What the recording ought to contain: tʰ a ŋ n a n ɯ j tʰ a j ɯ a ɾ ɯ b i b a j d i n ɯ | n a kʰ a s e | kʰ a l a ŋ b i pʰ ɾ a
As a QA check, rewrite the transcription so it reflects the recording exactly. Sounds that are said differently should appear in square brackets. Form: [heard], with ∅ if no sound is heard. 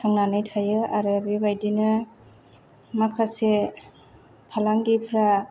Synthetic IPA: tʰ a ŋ n a n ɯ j tʰ a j ɯ a ɾ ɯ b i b a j d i n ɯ | [m] a kʰ a s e | [pʰ] a l a ŋ [ɡ] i pʰ ɾ a